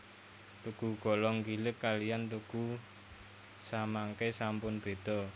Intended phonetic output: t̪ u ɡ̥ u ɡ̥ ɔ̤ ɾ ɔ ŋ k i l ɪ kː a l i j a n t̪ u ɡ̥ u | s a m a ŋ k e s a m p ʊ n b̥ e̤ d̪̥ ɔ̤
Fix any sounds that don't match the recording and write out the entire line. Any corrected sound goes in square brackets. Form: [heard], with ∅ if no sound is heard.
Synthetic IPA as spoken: t̪ u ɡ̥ u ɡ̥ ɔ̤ [l] ɔ ŋ k i l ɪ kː a l i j a n t̪ u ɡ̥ u | s a m a ŋ k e s a m p ʊ n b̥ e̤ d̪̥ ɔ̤